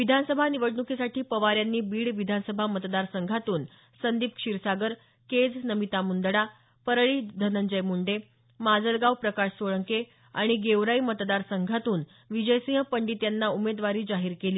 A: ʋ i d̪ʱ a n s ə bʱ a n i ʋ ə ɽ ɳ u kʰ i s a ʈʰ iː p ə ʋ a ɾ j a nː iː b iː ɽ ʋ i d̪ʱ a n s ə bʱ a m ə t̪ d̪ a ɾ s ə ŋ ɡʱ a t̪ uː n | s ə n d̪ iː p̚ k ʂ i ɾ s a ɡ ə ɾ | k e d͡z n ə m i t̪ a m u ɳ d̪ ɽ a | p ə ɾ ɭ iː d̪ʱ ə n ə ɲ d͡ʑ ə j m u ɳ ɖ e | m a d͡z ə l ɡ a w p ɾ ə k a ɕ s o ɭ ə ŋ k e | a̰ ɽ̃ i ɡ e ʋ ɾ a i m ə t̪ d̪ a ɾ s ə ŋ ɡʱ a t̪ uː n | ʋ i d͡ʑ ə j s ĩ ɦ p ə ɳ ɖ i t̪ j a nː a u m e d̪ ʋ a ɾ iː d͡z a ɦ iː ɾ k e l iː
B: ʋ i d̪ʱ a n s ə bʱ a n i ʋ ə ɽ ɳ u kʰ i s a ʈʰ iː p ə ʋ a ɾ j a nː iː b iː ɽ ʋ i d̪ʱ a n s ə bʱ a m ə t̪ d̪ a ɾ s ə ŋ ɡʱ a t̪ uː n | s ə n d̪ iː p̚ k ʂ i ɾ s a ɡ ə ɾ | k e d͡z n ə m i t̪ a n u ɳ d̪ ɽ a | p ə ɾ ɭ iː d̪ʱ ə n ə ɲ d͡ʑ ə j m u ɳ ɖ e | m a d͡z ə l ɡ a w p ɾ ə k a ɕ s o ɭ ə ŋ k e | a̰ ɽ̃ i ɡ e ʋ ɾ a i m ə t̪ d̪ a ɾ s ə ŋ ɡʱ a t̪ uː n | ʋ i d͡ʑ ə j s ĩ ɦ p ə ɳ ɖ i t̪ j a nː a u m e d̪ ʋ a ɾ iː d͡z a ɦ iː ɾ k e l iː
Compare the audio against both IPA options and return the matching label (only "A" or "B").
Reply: A